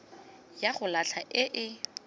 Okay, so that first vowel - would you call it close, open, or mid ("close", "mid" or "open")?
open